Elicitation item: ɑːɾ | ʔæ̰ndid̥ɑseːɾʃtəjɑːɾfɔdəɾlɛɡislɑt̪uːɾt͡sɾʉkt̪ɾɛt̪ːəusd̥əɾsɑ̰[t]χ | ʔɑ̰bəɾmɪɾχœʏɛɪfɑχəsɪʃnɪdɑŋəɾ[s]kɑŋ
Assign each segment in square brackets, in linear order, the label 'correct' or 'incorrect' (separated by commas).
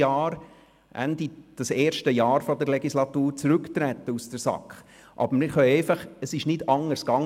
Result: incorrect, correct